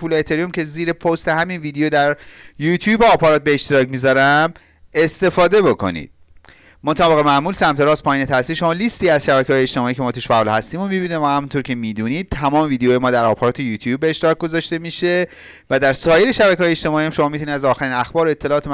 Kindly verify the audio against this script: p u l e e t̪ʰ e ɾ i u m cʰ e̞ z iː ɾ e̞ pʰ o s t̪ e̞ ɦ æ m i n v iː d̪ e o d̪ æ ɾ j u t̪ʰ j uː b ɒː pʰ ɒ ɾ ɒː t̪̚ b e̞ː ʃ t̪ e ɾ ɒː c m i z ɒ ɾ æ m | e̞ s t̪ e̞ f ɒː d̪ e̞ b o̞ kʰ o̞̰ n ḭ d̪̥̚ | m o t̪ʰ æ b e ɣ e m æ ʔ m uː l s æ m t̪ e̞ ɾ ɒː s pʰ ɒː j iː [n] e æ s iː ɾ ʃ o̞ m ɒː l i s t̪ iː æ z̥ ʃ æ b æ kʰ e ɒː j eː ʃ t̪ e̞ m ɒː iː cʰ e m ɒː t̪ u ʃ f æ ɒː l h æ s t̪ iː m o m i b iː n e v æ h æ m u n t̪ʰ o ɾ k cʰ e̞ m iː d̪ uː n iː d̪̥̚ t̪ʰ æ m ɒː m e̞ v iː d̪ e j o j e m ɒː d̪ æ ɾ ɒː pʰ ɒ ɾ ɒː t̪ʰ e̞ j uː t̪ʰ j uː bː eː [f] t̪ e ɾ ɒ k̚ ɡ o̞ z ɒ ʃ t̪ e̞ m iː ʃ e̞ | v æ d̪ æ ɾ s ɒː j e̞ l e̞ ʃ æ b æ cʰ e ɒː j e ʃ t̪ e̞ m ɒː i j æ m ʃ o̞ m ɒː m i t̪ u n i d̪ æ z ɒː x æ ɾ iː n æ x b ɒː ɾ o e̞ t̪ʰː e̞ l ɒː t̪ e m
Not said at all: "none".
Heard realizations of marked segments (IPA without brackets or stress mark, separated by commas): n, ʃ